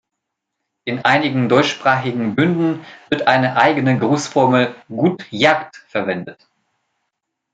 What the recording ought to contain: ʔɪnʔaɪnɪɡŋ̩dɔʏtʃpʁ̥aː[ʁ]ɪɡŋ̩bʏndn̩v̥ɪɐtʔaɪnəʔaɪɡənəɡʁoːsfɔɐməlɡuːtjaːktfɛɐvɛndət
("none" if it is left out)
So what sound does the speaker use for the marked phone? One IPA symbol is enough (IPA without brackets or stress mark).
χ